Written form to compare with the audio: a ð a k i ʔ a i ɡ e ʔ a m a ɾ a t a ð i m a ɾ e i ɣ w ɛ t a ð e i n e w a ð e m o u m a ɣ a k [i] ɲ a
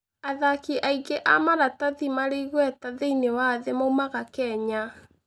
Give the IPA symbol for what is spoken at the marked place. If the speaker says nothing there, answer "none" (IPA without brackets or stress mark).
ɛ